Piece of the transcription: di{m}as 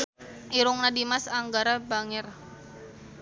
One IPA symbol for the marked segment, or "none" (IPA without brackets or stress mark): m